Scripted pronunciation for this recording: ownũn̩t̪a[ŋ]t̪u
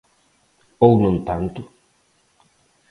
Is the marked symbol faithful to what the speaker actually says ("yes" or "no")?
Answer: no